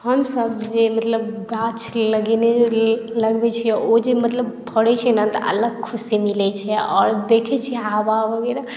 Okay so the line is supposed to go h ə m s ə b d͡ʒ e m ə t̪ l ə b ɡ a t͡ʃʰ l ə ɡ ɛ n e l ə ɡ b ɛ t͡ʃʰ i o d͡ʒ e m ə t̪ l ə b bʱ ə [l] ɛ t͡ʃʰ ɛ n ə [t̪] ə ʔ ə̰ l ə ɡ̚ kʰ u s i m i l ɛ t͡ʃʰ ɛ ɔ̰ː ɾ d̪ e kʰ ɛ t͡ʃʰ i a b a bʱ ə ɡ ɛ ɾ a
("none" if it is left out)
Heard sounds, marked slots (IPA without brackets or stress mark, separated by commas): ɽ, t̪